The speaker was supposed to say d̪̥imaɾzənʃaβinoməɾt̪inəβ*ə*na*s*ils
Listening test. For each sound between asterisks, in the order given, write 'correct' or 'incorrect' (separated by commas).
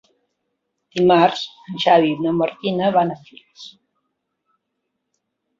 incorrect, incorrect